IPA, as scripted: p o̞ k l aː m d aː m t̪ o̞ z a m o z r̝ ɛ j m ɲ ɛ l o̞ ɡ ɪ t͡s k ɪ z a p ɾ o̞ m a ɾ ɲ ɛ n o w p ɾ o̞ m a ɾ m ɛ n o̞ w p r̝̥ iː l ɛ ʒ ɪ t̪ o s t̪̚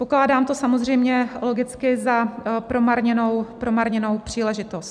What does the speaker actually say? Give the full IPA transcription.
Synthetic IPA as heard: p o̞ k l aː d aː m t̪ o̞ s a m o z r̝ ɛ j m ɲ ɛ l o̞ ɡ ɪ t͡s k ɪ z a p ɾ o̞ m a ɾ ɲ ɛ n o w p ɾ o̞ m a ɾ ɲ ɛ n o̞ w p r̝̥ iː l ɛ ʒ ɪ t̪ o s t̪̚